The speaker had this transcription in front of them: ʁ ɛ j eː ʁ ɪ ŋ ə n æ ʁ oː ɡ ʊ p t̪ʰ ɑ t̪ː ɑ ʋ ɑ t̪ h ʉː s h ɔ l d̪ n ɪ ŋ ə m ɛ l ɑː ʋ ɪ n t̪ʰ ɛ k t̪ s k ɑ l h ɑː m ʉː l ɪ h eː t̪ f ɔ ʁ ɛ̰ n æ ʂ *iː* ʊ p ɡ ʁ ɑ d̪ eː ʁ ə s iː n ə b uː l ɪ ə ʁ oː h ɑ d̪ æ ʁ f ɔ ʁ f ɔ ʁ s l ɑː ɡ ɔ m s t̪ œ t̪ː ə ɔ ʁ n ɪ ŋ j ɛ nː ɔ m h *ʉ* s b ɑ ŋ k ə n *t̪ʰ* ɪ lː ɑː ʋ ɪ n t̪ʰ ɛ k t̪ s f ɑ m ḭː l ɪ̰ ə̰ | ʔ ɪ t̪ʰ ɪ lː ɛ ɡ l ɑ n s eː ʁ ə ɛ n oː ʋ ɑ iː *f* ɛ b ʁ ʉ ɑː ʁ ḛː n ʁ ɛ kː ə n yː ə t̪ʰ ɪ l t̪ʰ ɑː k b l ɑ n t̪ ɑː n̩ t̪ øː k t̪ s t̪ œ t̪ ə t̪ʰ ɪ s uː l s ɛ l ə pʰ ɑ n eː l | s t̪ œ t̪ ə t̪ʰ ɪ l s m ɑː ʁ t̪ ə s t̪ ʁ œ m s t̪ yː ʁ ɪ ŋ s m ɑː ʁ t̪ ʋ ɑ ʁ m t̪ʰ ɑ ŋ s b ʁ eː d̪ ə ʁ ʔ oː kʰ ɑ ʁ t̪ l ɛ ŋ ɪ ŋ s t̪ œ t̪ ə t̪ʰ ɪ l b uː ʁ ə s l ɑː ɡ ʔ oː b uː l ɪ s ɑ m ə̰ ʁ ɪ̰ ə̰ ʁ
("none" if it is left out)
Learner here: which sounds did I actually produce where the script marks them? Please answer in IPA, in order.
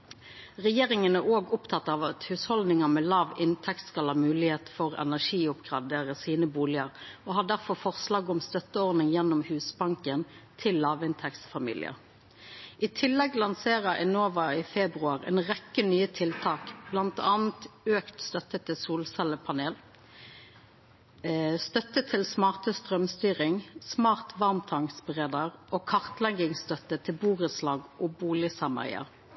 iː, ʉː, t̪ʰ, f

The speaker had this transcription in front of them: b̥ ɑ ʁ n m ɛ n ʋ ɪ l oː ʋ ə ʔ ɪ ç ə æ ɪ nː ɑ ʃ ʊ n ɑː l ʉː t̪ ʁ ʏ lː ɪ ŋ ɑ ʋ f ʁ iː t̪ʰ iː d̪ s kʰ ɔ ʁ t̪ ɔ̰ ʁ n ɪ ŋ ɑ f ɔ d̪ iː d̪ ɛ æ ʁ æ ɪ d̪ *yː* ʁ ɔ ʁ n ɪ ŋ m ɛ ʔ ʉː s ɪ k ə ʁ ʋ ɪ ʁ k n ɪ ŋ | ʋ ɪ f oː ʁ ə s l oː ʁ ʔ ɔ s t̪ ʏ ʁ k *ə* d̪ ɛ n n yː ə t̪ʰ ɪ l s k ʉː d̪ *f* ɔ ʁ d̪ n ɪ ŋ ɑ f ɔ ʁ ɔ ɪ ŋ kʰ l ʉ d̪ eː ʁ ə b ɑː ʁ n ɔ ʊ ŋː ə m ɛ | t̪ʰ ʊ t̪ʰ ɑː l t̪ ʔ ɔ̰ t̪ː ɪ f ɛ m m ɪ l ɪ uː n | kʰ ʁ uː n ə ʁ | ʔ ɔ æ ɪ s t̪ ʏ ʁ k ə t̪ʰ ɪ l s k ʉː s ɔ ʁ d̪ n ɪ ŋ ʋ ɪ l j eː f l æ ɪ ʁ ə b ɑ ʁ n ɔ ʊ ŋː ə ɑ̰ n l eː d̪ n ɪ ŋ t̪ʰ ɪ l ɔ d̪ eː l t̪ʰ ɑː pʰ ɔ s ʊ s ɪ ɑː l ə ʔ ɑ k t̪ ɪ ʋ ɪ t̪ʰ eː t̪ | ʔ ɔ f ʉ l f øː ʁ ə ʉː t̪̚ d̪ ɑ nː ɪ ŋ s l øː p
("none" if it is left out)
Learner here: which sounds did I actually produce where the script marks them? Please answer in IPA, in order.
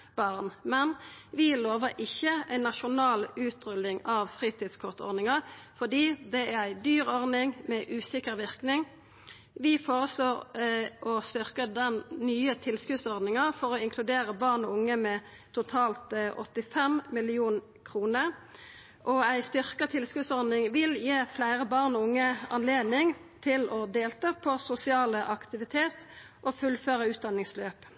yː, ə, s

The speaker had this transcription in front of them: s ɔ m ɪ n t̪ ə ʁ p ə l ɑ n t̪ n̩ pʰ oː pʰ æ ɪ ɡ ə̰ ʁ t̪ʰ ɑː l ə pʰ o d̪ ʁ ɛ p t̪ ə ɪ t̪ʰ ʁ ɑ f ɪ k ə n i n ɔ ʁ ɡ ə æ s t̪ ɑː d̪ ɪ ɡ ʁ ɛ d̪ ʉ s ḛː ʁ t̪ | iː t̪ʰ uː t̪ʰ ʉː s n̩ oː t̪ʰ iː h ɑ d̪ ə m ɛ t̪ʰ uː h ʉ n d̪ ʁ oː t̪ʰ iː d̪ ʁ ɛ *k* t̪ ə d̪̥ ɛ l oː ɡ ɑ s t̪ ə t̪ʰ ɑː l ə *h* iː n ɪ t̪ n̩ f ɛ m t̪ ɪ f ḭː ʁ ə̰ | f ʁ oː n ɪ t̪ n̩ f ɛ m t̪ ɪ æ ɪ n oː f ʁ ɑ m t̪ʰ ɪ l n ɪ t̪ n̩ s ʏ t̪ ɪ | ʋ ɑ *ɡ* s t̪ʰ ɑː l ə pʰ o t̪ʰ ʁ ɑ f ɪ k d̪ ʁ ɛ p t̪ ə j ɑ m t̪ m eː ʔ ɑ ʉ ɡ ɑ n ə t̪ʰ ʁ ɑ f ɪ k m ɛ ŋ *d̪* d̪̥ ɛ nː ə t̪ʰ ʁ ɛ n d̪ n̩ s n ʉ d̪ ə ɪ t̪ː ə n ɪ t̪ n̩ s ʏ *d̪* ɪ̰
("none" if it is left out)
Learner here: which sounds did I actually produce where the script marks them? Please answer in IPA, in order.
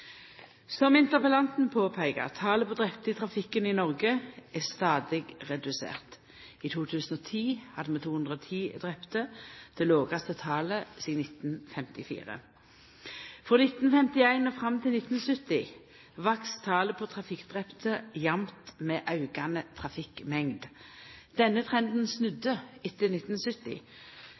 p, s, k, d̪, t̪

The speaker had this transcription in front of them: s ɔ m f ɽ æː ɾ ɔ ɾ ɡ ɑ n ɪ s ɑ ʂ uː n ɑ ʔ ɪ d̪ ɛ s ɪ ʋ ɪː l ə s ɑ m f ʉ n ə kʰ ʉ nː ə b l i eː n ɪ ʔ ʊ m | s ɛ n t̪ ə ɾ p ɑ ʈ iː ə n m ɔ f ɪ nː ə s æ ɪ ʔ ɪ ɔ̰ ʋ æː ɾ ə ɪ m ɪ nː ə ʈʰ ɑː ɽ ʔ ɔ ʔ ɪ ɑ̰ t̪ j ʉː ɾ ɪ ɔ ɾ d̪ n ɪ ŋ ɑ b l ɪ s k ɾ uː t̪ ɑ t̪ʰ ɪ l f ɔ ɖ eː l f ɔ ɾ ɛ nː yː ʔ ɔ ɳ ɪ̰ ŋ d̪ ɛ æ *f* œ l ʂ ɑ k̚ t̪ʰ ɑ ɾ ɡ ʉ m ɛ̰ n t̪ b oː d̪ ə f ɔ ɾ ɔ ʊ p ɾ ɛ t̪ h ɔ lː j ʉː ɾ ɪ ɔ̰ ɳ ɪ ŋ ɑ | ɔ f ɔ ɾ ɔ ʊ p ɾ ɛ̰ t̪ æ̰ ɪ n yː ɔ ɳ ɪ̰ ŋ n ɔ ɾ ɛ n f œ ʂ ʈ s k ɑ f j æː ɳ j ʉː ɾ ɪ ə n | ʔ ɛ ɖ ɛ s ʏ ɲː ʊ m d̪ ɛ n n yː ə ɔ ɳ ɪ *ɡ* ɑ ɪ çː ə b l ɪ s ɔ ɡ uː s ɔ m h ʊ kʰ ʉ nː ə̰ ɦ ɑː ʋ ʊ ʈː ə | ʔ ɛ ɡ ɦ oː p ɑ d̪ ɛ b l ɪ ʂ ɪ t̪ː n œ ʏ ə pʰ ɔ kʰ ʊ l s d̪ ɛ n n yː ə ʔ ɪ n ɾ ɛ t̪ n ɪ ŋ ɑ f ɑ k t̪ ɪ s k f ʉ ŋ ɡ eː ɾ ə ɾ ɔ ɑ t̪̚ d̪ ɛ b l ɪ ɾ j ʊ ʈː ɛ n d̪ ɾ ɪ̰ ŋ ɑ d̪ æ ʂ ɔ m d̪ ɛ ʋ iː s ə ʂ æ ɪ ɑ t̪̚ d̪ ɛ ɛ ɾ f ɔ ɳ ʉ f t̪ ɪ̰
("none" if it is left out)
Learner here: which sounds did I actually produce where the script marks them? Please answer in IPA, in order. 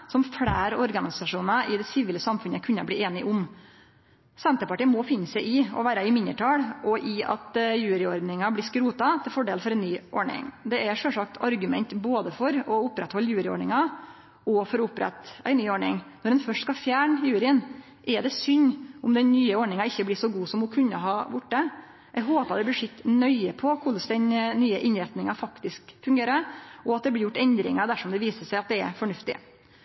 ʂ, ŋ

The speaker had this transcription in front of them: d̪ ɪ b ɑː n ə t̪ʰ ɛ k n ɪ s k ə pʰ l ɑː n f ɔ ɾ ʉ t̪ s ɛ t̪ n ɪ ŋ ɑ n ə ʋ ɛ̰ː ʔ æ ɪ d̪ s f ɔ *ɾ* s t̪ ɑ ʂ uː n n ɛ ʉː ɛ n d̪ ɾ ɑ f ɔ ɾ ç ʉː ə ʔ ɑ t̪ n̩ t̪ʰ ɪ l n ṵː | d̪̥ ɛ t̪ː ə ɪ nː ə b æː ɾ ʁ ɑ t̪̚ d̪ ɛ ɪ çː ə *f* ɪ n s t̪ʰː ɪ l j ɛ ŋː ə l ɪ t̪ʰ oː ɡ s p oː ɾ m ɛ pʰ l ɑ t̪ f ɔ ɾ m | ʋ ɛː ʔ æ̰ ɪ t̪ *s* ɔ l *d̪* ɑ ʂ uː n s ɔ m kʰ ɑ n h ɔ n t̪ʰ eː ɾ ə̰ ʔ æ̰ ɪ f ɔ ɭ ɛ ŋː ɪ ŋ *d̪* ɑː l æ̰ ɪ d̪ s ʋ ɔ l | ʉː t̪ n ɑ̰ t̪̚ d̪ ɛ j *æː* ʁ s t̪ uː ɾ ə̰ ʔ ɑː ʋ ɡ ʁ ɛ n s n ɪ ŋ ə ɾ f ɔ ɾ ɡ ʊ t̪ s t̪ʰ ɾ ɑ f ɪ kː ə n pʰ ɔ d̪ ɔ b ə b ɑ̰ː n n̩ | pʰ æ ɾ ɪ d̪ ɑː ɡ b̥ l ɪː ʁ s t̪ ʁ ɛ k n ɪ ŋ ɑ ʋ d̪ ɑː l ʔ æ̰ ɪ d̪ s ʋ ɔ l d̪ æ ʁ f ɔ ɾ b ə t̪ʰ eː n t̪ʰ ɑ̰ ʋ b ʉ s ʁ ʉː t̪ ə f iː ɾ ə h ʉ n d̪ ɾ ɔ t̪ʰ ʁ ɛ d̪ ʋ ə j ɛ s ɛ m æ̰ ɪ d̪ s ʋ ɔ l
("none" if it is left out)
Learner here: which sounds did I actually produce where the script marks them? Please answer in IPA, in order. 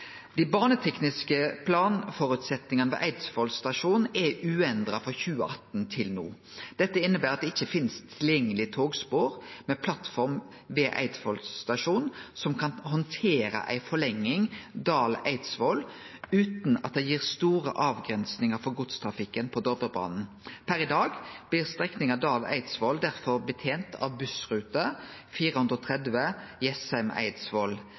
l, f, f, t̪, d̪, iː

